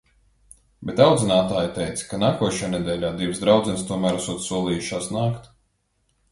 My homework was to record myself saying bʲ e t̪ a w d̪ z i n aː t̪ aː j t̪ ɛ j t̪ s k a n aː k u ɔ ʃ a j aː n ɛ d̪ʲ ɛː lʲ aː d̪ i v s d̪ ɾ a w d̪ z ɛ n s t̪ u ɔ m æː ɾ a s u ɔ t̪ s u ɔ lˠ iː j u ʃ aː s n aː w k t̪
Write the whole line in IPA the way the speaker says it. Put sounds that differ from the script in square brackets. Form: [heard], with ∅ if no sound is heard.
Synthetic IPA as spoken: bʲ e t̪ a w d̪ z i n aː t̪ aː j t̪ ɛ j t̪ s k a n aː k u ɔ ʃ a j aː n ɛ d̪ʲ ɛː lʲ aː d̪ i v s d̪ ɾ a w d̪ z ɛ n s t̪ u ɔ m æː ɾ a s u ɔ t̪ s u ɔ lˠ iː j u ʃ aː s n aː [∅] k t̪